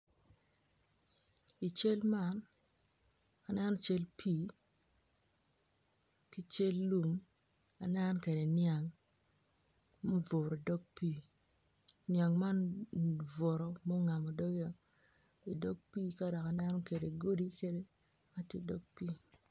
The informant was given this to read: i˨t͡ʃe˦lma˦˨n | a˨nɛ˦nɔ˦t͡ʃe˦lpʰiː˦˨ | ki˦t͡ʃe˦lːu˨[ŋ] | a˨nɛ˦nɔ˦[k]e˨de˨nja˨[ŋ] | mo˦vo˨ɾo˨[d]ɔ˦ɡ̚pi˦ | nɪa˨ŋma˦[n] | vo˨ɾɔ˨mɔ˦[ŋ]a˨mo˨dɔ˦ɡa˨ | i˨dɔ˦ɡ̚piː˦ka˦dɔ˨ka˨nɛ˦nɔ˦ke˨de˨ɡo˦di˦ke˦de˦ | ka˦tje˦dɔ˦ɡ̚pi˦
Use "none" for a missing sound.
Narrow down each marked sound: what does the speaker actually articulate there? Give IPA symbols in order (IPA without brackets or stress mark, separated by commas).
m, k, ŋ, d, n, ŋ